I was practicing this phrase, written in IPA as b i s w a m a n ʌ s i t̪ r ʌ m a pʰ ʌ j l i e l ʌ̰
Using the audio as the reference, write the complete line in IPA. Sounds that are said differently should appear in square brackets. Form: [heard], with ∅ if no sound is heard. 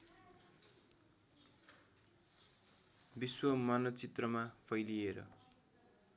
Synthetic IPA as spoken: b i s w [ʌ] m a n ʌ [t͡s] i t̪ r ʌ m a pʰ ʌ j l i e [ɾ] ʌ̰

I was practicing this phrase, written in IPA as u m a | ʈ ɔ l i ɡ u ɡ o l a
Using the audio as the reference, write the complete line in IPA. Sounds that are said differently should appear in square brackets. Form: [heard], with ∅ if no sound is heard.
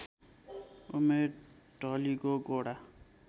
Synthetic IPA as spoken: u m [e] | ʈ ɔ l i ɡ [o] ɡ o [ɽ] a

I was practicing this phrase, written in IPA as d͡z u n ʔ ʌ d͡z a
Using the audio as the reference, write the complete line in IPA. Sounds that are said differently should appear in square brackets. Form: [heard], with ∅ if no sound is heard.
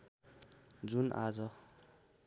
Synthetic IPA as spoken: d͡z u n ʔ [a] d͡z [ʌ]

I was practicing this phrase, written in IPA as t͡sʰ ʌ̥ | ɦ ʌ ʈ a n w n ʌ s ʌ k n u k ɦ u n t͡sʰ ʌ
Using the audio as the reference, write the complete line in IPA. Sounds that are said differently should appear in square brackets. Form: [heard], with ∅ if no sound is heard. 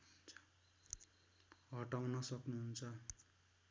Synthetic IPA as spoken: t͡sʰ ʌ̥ | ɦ ʌ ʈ a [∅] w n ʌ s ʌ k n u [∅] ɦ u n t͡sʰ ʌ

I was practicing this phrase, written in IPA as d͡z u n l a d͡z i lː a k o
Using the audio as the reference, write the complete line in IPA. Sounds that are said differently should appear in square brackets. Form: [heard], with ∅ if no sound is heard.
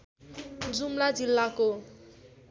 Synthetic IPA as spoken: d͡z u [m] l a d͡z i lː a k o

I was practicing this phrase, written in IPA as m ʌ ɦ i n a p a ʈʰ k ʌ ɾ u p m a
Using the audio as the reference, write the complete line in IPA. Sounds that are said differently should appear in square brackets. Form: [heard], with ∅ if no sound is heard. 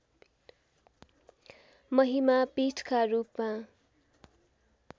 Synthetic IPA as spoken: m ʌ ɦ i [m] a p [i] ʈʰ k [a] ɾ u p m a

